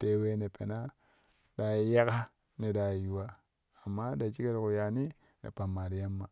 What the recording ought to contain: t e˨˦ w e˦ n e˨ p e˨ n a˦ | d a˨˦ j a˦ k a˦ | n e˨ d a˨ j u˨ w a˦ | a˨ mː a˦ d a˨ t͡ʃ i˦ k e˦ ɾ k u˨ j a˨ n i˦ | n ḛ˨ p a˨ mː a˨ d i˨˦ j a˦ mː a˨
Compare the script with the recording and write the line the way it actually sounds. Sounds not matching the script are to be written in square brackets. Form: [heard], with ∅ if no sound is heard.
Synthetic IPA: t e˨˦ w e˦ n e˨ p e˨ n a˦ | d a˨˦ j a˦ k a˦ | n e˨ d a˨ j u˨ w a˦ | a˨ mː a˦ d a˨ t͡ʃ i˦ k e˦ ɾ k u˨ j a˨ n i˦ | n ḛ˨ p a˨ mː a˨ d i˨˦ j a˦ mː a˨